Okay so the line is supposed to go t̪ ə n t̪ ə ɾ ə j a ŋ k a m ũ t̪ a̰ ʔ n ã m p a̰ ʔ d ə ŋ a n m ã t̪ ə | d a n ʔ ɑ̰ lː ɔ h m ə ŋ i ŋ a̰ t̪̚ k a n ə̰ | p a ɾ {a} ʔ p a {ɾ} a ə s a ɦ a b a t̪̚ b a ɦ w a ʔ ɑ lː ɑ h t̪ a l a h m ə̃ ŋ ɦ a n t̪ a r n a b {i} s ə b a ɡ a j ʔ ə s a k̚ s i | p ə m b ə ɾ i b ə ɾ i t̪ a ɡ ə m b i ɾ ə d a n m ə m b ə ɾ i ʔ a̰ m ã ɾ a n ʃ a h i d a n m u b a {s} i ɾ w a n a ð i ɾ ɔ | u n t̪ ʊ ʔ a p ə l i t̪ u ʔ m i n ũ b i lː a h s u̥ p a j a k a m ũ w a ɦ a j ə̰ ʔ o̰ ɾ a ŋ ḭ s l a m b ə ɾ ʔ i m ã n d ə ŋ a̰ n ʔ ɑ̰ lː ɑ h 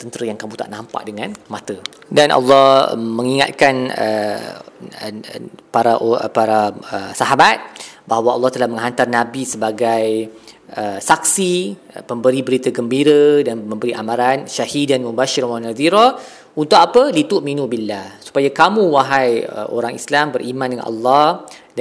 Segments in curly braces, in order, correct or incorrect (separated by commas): correct, correct, correct, incorrect